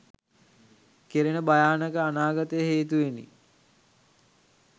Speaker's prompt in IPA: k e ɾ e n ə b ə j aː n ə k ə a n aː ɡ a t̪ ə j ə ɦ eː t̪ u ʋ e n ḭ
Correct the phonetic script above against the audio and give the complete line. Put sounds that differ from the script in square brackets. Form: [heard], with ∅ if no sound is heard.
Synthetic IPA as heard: k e ɾ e n ə b [a] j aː n ə k ə a n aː ɡ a t̪ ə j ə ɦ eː t̪ u ʋ e n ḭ